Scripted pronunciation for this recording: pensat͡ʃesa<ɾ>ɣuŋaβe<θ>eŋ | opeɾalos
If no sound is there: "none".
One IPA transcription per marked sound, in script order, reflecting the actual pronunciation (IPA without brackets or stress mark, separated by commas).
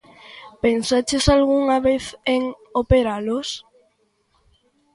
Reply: l, θ